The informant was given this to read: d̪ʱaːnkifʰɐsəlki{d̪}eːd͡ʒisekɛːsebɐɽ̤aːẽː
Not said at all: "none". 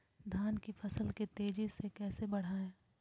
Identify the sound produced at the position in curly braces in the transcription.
t̪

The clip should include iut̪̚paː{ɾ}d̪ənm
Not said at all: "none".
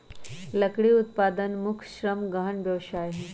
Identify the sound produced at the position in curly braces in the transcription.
none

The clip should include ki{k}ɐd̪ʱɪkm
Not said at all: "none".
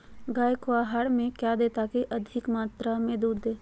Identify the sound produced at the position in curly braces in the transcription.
ʔ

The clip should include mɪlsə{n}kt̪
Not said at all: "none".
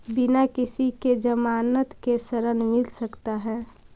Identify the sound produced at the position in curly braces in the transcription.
none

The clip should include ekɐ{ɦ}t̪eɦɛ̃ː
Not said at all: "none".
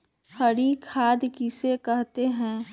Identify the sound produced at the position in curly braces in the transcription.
ɦ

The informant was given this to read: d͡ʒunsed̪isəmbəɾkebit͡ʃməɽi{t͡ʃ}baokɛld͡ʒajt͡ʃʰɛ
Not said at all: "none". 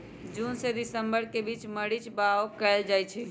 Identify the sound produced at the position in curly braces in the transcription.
t͡ʃ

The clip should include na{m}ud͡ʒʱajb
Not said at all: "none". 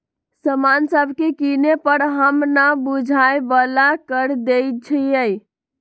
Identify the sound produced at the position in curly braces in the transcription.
b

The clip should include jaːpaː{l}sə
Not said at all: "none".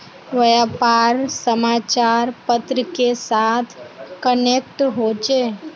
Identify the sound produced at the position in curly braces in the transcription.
ɾ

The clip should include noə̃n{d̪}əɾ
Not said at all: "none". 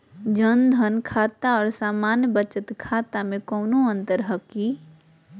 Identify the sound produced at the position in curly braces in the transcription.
t̪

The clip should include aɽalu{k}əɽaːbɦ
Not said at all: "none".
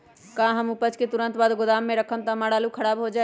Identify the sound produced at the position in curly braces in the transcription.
kʰ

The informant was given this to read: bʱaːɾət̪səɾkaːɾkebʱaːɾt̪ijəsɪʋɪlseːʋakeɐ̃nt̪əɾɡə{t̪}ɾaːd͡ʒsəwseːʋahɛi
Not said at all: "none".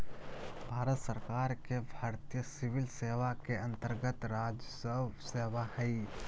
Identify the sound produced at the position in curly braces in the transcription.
t̪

